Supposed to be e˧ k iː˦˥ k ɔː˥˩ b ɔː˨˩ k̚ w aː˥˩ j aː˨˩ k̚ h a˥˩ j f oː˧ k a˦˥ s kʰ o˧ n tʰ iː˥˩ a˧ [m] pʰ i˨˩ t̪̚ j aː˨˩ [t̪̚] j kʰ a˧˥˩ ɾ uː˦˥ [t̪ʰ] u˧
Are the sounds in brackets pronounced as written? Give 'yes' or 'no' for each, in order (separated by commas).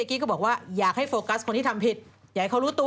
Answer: yes, no, no